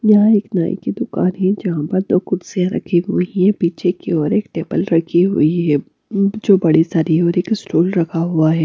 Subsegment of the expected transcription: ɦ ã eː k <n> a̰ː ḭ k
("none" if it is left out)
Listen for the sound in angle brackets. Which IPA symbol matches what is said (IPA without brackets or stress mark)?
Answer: n